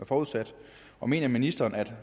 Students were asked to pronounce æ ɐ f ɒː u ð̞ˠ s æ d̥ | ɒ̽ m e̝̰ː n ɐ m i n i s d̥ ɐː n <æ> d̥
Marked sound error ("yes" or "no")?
no